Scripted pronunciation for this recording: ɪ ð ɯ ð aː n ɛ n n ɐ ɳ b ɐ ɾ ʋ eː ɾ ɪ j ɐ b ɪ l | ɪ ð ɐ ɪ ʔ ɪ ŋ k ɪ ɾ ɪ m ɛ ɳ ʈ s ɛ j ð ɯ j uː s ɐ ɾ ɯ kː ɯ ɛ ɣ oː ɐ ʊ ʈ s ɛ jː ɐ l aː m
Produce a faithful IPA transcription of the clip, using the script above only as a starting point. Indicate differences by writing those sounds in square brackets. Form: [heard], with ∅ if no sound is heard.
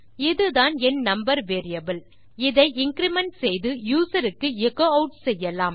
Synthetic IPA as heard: ɪ ð ɯ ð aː n ɛ n n ɐ [m] b ɐ ɾ ʋ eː ɾ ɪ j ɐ b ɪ l | ɪ ð ɐ ɪ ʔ ɪ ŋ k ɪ ɾ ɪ m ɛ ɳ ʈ s ɛ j ð ɯ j uː s ɐ ɾ ɯ kː ɯ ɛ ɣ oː ɐ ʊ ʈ s ɛ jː ɐ l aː m